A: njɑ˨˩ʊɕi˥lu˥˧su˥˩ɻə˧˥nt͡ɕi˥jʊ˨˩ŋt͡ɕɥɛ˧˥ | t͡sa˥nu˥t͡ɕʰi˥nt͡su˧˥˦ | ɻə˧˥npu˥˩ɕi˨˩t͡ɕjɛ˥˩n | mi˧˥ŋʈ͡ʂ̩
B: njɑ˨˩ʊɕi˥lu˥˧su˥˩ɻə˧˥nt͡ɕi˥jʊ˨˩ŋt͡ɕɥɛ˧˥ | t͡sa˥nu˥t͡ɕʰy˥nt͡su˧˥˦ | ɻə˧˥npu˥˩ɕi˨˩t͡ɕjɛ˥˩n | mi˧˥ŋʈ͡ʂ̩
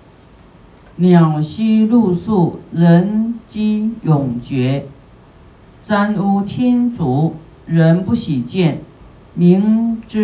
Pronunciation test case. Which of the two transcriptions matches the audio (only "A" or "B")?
A